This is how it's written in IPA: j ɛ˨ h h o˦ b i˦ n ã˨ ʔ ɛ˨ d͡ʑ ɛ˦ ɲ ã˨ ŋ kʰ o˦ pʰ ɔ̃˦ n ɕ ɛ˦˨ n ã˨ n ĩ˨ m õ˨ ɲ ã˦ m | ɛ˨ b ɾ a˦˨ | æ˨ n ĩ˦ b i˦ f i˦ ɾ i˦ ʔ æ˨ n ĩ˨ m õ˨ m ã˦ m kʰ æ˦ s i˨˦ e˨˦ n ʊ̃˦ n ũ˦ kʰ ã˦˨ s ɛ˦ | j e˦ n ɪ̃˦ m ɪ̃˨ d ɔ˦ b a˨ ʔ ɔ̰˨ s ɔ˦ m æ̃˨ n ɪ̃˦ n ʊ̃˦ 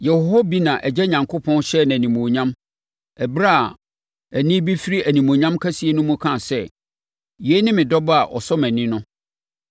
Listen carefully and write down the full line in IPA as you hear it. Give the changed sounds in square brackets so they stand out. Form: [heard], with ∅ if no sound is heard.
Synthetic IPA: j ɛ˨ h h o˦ b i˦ n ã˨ ʔ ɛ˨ d͡ʑ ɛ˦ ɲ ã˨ ŋ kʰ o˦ pʰ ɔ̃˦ n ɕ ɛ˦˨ n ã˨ n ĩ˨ m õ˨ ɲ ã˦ m | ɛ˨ b ɾ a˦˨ | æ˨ n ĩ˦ b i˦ f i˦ ɾ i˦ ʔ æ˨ n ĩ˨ m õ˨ [ɲ] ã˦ m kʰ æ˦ s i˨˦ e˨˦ n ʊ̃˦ [m] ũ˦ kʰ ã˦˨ s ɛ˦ | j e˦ n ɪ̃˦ m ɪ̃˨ d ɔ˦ b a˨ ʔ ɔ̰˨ s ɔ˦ m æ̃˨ n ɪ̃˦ n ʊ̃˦